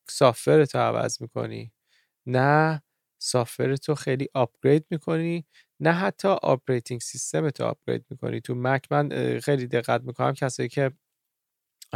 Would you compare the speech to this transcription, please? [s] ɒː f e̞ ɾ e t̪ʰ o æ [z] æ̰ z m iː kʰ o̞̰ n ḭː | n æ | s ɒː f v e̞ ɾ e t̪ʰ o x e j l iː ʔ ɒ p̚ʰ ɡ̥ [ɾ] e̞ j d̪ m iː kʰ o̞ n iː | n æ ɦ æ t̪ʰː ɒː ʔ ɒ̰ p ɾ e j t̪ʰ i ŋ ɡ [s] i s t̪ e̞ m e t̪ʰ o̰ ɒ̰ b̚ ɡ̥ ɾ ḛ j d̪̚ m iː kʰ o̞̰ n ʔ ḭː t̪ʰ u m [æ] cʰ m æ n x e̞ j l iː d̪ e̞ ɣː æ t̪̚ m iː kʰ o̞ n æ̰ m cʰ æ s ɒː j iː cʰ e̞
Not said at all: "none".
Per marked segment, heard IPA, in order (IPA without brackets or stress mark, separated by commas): s, v, ɾ, s, æ